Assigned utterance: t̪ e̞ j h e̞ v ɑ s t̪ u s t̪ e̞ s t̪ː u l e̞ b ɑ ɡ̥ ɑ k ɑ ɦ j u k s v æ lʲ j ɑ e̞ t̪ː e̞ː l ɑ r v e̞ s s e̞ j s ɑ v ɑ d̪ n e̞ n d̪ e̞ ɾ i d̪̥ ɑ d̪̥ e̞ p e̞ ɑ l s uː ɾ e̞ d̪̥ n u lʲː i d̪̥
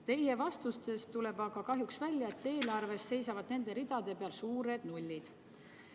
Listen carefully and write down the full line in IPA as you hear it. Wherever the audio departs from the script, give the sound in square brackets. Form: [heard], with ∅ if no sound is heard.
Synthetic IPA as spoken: t̪ e̞ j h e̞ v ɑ s t̪ u s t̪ e̞ s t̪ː u l e̞ b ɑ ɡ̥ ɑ k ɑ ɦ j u k s v æ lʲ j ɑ e̞ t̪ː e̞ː l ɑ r v e̞ s s e̞ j s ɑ v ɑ d̪ n e̞ n d̪ e̞ ɾ i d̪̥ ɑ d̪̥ e̞ p e̞ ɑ l s uː ɾ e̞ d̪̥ n u lʲː i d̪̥